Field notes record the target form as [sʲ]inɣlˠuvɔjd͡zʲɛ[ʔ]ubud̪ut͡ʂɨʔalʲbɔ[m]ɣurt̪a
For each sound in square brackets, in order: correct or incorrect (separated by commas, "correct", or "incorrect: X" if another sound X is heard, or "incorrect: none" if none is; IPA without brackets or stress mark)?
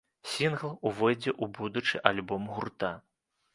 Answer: correct, correct, correct